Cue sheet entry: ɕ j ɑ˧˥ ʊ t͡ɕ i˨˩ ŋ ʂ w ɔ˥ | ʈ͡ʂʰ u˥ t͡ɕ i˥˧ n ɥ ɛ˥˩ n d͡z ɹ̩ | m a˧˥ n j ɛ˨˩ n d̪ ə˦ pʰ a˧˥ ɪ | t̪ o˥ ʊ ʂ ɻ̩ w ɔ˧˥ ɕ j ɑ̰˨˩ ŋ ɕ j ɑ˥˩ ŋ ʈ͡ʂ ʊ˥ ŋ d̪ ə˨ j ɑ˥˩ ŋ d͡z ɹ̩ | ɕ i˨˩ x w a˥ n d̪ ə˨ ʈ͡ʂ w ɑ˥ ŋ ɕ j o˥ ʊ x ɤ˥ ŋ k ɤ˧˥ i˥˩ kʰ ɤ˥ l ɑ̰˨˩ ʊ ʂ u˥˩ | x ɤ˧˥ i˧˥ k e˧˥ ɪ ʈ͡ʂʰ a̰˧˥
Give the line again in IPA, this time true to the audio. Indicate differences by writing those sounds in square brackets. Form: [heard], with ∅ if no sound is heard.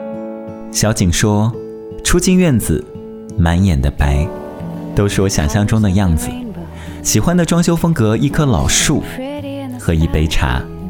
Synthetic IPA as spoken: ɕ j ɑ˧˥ ʊ t͡ɕ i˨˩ ŋ ʂ w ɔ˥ | ʈ͡ʂʰ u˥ t͡ɕ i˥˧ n ɥ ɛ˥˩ n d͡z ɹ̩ | m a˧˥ n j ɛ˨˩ n d̪ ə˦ [p] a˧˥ ɪ | t̪ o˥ ʊ ʂ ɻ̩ w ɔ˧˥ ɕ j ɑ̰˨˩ ŋ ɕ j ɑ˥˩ ŋ ʈ͡ʂ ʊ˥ ŋ d̪ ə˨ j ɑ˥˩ ŋ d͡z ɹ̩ | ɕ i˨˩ x w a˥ n d̪ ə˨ ʈ͡ʂ w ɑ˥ ŋ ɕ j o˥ ʊ [f] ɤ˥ ŋ k ɤ˧˥ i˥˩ kʰ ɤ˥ l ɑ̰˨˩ ʊ ʂ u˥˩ | x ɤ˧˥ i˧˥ [p] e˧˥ ɪ ʈ͡ʂʰ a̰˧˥